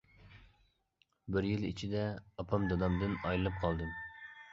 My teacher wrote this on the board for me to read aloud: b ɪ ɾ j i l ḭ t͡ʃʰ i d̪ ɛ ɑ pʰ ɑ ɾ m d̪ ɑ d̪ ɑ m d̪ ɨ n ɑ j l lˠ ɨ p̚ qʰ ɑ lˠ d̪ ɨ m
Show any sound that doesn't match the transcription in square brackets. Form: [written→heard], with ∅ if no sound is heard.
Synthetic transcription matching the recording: b ɪ ɾ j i l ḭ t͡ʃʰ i d̪ ɛ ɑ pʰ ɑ [ɾ→∅] m d̪ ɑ d̪ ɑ m d̪ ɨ n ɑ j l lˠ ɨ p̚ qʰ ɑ lˠ d̪ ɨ m